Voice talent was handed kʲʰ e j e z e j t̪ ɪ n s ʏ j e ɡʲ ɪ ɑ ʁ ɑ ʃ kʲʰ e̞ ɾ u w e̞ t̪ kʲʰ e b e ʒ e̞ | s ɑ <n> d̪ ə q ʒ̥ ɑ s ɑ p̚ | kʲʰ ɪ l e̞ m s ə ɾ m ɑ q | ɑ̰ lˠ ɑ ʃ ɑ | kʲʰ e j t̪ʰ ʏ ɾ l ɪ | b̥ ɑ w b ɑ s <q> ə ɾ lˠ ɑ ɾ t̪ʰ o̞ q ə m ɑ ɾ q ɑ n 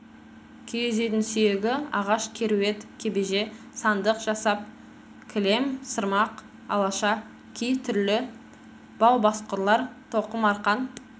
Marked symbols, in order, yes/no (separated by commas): yes, yes